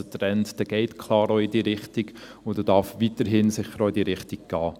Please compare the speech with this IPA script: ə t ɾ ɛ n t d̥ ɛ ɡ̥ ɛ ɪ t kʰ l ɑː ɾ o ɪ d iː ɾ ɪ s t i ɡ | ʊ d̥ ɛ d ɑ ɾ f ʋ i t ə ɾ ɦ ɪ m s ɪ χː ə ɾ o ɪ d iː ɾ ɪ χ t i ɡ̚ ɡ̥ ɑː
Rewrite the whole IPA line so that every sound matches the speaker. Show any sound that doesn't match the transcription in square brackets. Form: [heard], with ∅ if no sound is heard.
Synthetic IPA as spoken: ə t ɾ ɛ n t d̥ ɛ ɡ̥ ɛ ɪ t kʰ l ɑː ɾ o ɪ d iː ɾ ɪ [χ] t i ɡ | ʊ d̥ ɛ d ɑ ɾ f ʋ i t ə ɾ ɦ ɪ [n] s ɪ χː ə ɾ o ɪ d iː ɾ ɪ χ t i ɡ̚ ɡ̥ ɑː